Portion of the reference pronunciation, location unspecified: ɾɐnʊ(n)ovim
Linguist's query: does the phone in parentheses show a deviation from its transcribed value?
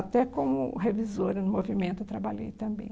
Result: yes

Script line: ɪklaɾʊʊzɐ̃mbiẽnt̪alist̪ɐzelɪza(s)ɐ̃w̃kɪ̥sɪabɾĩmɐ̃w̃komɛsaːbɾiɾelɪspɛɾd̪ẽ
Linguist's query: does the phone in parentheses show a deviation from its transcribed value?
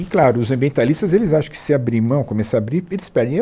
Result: yes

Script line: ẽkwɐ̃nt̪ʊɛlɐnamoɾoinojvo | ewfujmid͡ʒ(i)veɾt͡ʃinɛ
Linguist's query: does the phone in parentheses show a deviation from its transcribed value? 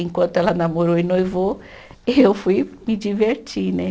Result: no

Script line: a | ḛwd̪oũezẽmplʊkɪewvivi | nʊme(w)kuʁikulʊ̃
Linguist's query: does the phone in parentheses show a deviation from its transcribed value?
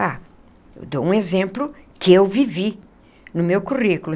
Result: no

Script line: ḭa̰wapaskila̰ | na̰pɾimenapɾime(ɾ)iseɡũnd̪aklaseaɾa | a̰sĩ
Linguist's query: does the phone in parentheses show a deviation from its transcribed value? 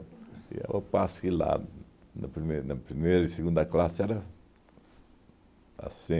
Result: no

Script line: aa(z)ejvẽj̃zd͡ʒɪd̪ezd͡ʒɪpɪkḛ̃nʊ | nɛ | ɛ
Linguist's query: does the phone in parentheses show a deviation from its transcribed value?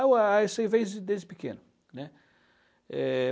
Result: yes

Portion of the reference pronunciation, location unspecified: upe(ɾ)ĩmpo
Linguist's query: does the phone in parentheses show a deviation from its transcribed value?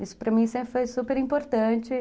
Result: no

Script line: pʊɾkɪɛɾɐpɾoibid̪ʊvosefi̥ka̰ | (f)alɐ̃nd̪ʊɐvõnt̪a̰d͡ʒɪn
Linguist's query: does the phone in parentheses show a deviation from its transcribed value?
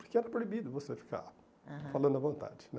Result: no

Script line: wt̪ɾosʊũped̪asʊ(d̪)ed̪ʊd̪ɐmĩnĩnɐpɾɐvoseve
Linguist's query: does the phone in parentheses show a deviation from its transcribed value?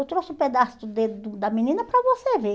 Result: no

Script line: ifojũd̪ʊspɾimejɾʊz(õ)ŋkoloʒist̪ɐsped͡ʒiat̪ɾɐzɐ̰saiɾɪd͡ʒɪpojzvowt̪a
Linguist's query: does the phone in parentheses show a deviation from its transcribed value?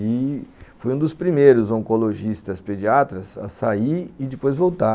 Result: no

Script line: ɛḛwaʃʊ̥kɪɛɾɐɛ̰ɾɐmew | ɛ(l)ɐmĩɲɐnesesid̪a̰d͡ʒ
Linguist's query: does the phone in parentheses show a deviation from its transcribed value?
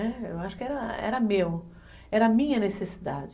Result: yes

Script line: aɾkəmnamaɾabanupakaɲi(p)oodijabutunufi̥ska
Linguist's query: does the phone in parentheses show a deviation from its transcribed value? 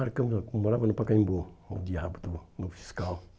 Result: yes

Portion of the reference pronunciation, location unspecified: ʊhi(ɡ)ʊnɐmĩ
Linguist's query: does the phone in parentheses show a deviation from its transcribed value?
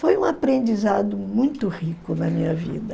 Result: yes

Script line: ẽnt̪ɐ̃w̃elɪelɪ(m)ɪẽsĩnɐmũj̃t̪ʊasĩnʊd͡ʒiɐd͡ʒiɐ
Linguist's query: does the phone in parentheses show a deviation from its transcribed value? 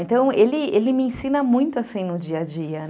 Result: no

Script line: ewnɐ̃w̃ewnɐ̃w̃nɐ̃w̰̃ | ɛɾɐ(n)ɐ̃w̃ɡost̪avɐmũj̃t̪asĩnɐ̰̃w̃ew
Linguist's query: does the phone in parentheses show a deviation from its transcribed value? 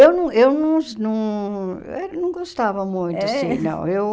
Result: no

